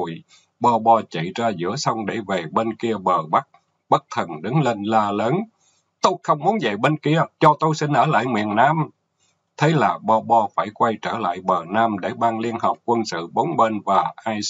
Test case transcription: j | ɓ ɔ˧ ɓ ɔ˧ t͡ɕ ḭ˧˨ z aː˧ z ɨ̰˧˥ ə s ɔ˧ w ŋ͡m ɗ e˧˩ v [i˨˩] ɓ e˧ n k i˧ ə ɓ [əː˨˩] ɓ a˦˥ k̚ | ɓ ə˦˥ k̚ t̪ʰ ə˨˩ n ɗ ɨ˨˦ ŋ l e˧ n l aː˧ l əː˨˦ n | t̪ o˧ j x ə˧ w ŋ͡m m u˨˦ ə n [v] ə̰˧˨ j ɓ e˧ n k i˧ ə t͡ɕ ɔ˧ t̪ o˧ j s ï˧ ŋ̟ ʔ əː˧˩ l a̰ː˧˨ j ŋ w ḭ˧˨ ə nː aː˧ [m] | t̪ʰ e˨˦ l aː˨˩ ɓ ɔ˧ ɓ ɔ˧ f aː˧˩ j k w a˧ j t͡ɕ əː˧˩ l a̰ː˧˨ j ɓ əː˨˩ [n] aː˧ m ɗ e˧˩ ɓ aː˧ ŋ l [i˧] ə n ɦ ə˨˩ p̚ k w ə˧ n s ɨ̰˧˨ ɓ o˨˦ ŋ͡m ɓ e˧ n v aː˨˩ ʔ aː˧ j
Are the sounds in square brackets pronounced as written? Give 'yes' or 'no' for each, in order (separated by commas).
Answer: no, yes, no, yes, yes, yes